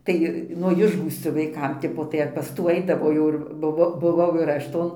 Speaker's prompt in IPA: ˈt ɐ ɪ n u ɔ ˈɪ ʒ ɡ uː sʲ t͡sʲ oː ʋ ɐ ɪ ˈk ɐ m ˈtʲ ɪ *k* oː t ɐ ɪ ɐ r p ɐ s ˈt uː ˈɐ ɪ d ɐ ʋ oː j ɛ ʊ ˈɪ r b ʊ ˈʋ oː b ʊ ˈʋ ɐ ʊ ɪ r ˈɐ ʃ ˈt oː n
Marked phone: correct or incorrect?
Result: incorrect